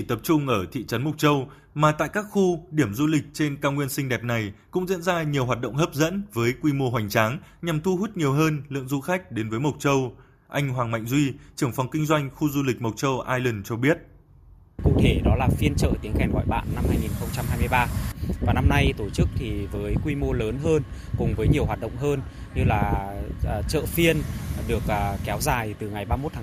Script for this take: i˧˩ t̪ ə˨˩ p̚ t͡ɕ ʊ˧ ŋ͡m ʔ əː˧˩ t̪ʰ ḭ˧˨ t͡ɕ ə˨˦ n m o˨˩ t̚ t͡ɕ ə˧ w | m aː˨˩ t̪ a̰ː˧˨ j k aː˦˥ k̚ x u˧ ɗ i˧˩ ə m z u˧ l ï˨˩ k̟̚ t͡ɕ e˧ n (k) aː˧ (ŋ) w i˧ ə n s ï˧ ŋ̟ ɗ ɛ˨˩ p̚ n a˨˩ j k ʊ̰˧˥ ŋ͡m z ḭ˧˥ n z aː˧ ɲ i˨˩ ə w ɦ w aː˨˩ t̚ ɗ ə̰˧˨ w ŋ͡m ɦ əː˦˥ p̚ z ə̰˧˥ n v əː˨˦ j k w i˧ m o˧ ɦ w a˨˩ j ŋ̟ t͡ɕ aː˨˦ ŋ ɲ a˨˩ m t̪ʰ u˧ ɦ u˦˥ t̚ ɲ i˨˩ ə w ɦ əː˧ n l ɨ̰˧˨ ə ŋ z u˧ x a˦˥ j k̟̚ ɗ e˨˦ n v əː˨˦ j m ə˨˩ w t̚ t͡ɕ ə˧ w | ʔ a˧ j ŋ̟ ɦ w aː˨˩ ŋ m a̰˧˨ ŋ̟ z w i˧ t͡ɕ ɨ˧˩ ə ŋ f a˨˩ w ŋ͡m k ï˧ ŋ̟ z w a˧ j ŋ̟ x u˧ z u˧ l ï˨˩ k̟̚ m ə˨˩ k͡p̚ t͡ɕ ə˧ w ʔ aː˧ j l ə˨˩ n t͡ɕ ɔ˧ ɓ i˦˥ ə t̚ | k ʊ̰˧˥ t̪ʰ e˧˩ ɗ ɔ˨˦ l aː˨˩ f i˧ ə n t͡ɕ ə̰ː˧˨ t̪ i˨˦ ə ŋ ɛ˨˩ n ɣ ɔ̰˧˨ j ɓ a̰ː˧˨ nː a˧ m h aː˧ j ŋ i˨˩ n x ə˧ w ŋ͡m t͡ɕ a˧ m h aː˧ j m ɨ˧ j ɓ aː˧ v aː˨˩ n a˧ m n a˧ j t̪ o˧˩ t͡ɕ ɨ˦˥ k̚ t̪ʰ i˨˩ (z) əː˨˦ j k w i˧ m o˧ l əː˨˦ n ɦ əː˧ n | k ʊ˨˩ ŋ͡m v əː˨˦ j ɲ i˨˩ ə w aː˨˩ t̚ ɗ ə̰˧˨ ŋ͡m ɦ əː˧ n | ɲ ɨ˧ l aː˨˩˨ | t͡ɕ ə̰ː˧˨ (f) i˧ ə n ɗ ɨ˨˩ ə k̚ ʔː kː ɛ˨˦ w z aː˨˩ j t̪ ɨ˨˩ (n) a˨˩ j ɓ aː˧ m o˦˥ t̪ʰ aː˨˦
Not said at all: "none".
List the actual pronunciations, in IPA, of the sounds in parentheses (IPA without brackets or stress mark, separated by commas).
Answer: k, ŋ, v, f, ŋ